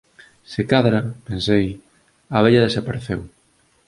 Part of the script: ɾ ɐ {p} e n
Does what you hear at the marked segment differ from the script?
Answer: no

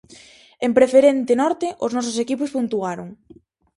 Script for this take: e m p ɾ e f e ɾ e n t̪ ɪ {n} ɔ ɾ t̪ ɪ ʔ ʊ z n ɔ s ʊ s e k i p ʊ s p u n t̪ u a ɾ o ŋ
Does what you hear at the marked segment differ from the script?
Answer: no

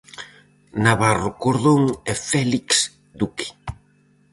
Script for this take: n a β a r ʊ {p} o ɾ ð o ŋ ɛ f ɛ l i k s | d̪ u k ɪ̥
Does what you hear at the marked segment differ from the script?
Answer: yes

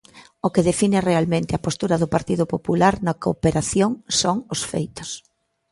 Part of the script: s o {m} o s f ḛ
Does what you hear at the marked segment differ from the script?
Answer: yes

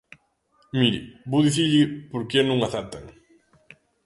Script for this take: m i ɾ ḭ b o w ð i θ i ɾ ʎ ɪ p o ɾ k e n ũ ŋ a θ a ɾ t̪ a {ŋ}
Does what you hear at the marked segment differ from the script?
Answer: no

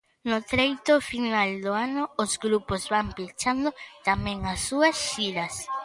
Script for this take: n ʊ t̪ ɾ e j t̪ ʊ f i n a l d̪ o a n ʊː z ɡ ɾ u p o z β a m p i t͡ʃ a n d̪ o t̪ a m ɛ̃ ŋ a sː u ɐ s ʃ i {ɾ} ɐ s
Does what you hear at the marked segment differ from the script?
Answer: no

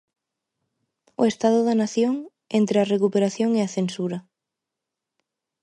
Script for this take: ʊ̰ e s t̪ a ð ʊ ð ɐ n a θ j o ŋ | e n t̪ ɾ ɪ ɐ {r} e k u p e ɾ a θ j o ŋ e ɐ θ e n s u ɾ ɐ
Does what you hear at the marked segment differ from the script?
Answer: no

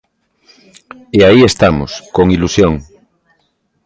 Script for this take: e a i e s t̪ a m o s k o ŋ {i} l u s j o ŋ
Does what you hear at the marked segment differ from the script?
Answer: no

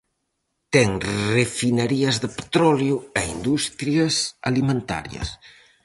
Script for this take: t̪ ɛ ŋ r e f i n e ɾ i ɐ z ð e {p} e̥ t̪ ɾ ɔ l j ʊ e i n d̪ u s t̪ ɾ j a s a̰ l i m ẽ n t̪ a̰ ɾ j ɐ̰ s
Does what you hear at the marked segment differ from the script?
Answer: no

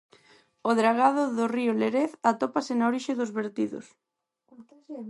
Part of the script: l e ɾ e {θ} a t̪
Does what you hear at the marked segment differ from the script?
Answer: no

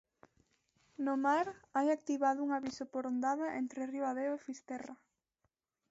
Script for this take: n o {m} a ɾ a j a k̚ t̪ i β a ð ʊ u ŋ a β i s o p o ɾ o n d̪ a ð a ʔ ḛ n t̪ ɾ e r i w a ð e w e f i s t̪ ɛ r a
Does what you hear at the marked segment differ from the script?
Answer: no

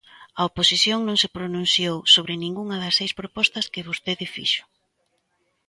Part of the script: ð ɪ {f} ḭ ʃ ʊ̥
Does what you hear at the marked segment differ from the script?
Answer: no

